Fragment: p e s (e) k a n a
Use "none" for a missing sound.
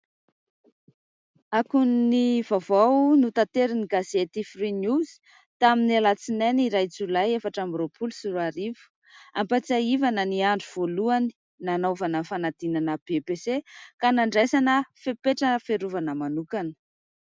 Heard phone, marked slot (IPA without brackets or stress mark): e